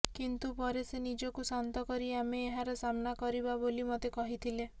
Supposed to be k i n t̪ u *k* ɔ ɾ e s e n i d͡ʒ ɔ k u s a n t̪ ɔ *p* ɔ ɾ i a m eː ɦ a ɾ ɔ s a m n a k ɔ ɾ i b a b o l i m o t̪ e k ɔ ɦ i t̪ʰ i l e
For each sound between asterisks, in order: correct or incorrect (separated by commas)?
incorrect, incorrect